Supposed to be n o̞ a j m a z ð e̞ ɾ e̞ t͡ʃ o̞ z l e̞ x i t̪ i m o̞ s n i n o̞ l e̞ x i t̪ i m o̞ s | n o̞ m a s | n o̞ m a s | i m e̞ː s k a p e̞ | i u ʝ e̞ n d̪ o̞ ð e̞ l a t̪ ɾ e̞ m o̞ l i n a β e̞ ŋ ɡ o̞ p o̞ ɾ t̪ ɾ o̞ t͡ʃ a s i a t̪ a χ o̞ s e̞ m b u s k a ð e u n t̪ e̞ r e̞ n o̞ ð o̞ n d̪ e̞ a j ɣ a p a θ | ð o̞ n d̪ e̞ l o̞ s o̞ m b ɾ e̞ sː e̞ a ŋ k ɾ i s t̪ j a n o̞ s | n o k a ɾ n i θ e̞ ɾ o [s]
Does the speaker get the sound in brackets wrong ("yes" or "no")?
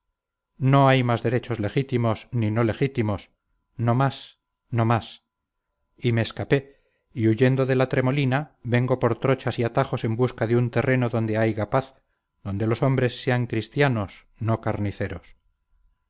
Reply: no